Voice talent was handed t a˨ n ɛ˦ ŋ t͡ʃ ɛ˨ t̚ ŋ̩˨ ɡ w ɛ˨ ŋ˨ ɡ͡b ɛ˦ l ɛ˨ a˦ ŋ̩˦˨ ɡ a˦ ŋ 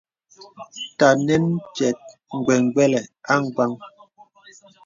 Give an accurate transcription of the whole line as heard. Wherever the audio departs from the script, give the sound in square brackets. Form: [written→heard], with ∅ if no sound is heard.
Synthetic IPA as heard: t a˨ n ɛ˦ [ŋ→n] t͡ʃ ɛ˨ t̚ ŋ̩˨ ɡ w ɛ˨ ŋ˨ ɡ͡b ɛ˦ l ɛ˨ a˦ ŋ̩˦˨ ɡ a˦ ŋ